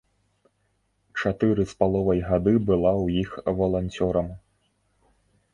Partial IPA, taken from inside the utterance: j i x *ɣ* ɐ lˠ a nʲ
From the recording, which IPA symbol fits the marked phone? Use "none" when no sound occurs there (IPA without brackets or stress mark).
v